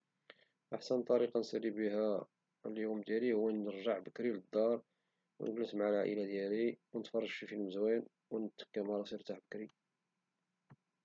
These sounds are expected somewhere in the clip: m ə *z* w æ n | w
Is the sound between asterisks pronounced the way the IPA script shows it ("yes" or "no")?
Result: yes